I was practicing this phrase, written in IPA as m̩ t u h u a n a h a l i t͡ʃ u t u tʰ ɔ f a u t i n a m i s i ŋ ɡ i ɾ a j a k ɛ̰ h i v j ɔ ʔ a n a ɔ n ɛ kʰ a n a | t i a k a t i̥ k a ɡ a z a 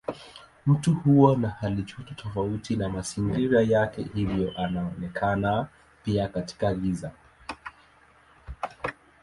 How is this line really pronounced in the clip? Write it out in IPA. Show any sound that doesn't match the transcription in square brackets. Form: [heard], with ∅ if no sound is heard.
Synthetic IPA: m̩ t u h u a n a h a l i t͡ʃ u t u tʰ ɔ f a u t i n a m [a] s i ŋ ɡ i ɾ a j a k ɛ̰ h i v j ɔ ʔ a n a ɔ n ɛ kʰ a n a | [p] i a k a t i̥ k a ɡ [i] z a